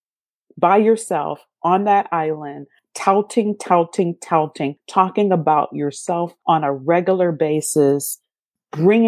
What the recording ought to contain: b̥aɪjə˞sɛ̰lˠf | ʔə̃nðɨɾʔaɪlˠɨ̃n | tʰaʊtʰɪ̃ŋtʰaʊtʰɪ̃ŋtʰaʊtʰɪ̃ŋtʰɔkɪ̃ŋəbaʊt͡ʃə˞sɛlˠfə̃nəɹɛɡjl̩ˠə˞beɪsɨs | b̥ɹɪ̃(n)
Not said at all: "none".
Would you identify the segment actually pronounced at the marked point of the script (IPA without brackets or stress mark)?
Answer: ŋ